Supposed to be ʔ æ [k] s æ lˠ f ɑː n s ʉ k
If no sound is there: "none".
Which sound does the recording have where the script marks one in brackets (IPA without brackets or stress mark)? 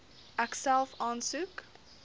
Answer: k